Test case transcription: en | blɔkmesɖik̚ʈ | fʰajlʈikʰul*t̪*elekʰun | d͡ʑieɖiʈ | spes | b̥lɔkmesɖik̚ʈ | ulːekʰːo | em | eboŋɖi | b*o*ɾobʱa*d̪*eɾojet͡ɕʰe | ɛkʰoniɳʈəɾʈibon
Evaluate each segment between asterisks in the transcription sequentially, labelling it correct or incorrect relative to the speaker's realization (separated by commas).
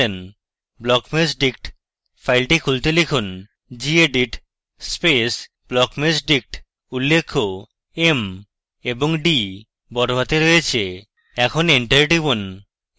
correct, incorrect, incorrect